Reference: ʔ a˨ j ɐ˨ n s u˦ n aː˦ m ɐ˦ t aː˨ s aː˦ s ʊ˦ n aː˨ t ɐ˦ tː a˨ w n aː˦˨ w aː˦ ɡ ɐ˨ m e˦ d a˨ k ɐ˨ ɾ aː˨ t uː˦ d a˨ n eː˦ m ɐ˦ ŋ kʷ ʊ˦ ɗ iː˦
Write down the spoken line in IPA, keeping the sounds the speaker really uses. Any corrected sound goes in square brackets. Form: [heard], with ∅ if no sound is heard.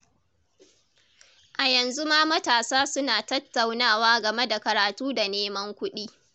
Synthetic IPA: ʔ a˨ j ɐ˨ n [z] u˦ [m] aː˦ m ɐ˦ t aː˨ s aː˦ s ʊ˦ n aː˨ t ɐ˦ tː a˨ w n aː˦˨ w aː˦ ɡ ɐ˨ m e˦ d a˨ k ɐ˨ ɾ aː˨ t uː˦ d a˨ n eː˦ m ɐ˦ ŋ kʷ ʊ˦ ɗ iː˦